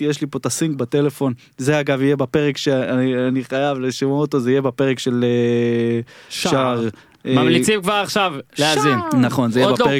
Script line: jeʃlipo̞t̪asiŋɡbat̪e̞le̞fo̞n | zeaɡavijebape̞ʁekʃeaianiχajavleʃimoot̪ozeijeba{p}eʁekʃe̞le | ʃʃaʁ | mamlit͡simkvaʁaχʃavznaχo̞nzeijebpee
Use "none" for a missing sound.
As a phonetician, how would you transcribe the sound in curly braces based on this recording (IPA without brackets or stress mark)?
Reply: p